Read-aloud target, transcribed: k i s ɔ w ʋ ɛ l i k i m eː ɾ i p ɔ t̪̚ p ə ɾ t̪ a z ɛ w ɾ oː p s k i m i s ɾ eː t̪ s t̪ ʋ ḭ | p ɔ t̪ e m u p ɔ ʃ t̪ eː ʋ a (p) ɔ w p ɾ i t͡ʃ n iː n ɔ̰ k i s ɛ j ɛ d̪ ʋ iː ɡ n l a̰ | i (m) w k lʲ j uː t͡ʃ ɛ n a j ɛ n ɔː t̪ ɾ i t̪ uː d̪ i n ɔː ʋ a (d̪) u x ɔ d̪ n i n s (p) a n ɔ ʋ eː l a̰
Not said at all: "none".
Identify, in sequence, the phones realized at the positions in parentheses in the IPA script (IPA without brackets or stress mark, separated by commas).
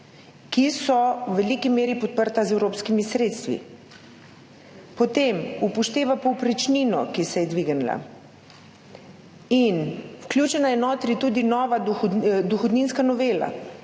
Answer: p, n, d̪, k